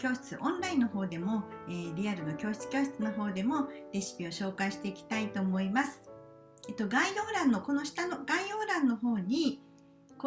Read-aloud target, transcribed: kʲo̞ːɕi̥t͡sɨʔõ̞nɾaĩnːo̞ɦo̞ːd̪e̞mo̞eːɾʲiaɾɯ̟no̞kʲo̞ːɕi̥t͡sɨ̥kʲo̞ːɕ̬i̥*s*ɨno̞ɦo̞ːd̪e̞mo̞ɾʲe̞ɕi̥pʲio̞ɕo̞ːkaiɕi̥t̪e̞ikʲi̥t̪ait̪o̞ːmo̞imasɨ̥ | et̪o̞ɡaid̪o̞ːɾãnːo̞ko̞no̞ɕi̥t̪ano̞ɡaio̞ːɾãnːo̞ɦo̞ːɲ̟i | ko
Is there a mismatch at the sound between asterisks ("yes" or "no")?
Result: yes